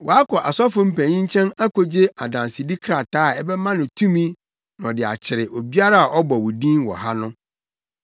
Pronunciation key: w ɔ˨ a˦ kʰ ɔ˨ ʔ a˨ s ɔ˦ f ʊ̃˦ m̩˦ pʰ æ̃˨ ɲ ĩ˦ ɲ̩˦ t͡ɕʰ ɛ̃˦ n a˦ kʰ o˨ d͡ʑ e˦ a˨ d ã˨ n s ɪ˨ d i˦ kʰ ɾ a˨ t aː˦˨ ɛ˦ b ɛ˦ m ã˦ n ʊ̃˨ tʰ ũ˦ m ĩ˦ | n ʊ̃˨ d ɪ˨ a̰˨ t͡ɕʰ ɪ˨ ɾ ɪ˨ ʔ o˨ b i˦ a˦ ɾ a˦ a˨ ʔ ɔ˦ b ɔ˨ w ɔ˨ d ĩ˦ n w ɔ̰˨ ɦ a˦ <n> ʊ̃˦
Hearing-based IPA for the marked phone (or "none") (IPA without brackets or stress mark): n